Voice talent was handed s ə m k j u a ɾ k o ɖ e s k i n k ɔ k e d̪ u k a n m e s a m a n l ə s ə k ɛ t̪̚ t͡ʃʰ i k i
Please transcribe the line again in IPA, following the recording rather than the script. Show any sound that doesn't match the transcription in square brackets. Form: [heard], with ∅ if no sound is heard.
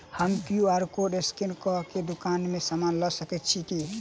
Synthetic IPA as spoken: [h] ə m k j u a ɾ k o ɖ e s k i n k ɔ k e d̪ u k a n m e s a m a n l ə s ə k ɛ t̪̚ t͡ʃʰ i k i